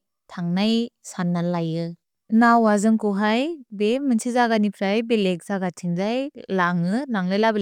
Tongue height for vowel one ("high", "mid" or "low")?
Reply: low